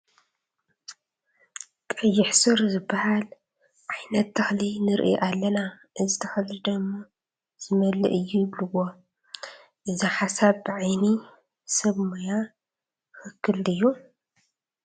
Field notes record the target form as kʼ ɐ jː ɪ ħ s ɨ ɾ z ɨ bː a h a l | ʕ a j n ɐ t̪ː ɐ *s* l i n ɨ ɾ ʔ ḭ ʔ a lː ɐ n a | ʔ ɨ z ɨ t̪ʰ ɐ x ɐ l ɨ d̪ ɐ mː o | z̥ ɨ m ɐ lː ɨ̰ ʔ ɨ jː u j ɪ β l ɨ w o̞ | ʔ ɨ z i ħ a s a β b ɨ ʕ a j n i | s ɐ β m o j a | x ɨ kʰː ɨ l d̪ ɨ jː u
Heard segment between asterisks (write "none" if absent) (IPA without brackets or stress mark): x